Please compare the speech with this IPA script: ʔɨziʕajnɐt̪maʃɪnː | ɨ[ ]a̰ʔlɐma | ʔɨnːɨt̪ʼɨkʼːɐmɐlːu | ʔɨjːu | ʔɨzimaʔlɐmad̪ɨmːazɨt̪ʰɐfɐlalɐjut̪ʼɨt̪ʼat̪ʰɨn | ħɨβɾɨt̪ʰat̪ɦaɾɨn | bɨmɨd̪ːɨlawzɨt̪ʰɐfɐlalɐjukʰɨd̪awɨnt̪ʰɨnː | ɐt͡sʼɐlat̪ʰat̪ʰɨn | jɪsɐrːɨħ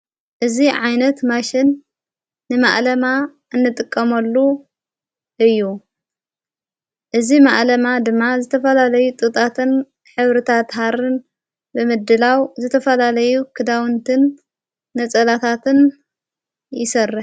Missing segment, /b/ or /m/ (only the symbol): m